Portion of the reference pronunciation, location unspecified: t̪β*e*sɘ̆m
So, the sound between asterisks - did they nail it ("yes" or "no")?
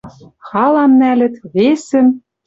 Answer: yes